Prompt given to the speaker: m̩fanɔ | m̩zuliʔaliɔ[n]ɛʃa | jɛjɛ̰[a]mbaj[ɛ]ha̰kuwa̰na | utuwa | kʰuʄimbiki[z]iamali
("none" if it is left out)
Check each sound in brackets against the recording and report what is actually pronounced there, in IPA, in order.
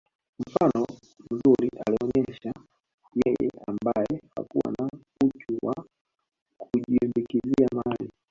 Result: ɲ, a, ɛ, z

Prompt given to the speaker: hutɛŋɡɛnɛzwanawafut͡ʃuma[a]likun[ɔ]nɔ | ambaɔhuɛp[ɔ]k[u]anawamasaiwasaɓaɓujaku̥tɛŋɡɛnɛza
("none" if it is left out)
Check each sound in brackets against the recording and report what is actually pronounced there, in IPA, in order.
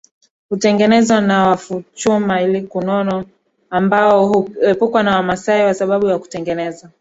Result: i, ɔ, u, w

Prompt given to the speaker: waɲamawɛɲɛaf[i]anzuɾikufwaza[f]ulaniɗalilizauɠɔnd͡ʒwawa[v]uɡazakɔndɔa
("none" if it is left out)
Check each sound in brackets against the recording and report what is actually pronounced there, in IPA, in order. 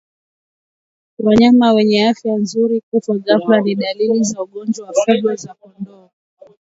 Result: j, f, f

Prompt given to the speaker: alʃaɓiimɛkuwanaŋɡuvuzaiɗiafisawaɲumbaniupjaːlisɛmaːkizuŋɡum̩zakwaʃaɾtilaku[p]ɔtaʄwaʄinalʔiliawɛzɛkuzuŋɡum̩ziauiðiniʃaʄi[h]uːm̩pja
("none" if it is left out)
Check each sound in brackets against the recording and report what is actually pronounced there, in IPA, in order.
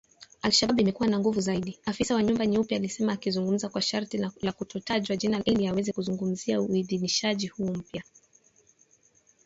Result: t, h

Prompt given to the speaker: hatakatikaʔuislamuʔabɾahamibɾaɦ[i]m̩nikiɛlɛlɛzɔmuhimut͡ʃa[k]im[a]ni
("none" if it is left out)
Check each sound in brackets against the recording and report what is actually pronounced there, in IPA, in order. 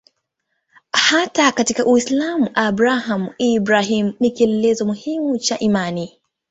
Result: i, ʔ, a

